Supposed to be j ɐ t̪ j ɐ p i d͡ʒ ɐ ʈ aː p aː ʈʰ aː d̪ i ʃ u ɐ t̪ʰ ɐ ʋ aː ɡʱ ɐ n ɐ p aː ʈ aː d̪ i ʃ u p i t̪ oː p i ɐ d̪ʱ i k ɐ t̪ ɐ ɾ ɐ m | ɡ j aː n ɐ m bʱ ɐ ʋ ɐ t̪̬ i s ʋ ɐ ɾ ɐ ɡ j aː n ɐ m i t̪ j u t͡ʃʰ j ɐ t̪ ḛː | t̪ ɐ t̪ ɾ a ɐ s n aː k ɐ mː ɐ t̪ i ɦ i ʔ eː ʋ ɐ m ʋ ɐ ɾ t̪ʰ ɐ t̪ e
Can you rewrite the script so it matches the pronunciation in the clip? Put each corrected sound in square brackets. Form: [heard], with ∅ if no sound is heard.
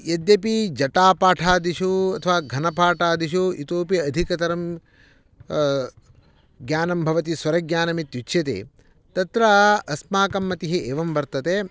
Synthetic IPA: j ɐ [d̪] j ɐ p i d͡ʒ ɐ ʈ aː p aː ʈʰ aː d̪ i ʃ u ɐ t̪ʰ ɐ ʋ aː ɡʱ ɐ n ɐ p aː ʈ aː d̪ i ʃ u [∅] i t̪ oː p i ɐ d̪ʱ i k ɐ t̪ ɐ ɾ ɐ m | ɡ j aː n ɐ m bʱ ɐ ʋ ɐ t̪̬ i s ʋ ɐ ɾ ɐ ɡ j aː n ɐ m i t̪ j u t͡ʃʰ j ɐ t̪ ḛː | t̪ ɐ t̪ ɾ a ɐ s [m] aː k ɐ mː ɐ t̪ i ɦ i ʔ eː ʋ ɐ m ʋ ɐ ɾ [t̪] ɐ t̪ e